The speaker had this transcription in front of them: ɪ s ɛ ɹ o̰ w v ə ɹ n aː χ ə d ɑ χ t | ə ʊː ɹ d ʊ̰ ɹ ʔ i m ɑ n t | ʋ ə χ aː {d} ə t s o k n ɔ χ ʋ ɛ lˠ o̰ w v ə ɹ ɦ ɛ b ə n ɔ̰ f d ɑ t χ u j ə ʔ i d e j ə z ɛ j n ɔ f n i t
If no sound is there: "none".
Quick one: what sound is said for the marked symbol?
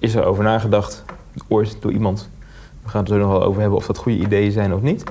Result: n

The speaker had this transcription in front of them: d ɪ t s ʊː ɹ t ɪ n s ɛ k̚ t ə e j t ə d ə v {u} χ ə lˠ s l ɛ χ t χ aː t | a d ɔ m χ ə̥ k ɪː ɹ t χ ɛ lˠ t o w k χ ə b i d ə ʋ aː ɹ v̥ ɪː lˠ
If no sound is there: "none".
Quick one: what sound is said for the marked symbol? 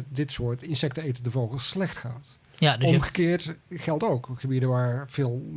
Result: o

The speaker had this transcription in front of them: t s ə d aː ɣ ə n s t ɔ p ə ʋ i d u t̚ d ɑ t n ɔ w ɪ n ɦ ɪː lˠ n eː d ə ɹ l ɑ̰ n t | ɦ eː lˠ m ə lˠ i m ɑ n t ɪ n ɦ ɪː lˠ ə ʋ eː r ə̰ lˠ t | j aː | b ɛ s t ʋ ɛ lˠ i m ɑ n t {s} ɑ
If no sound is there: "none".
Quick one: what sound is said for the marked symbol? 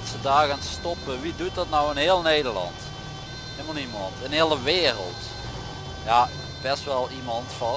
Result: f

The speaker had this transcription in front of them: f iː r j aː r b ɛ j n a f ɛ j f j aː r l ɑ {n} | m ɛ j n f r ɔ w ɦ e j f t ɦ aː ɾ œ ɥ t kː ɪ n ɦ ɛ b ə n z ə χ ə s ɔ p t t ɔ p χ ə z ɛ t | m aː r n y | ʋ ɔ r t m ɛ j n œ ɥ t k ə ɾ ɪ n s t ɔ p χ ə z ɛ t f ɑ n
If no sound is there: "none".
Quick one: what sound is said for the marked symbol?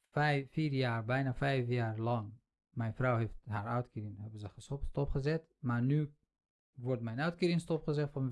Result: ŋ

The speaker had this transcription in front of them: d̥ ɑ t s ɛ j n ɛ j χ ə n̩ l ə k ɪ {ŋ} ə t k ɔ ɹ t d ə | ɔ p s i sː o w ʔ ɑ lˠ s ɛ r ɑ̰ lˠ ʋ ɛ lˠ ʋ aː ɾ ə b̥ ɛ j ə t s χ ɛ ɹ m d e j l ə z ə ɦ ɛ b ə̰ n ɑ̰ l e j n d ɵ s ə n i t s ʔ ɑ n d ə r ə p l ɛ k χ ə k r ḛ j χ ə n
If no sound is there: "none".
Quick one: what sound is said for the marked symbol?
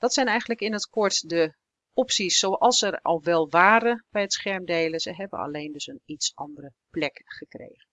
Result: n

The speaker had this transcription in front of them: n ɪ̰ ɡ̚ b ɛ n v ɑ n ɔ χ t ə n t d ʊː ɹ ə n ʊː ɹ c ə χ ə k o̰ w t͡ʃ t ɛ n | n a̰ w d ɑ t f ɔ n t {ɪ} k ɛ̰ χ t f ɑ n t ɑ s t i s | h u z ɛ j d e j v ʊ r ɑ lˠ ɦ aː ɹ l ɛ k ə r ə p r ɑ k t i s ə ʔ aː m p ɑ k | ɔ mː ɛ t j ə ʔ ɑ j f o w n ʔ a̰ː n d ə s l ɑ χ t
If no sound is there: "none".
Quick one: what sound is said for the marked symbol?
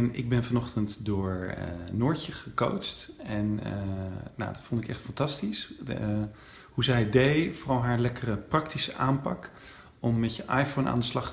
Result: ɪ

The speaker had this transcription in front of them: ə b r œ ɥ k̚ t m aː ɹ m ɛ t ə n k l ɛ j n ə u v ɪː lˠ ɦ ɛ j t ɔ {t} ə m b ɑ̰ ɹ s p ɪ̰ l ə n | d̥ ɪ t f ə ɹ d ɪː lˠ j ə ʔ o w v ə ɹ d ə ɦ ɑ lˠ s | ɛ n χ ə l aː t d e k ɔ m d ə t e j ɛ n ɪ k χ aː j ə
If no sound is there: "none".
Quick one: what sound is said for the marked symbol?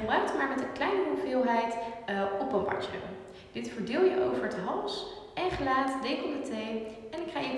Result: p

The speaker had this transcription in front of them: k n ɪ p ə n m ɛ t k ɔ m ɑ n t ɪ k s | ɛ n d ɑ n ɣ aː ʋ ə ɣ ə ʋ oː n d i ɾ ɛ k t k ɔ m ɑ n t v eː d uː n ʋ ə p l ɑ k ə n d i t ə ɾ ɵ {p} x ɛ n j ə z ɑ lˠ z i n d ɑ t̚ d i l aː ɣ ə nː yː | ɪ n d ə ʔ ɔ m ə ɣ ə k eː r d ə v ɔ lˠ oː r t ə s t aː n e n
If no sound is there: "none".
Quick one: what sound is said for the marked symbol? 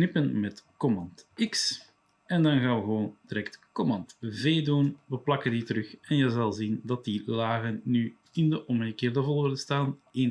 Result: none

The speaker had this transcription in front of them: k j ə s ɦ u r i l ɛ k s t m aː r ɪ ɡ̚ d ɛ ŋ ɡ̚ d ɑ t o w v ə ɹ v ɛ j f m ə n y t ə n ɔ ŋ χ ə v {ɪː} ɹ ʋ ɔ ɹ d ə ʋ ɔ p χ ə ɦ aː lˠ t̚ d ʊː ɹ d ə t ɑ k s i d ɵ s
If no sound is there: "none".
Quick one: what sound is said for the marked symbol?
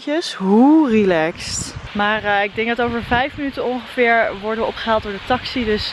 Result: ɪː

